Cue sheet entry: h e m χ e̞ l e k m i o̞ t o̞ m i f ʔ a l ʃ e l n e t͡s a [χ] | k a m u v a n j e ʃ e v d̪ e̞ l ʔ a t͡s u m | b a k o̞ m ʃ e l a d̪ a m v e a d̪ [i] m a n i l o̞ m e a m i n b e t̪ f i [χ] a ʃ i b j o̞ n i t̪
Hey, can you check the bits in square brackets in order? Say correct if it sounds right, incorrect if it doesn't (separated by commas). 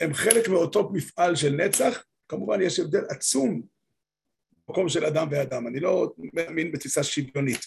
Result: correct, incorrect, incorrect